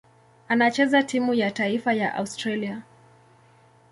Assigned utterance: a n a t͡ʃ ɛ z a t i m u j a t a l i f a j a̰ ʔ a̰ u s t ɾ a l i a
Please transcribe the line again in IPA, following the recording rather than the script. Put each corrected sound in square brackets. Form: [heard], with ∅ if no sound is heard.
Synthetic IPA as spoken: a n a t͡ʃ ɛ z a t i m u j a t a [∅] i f a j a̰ ʔ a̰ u s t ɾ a l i a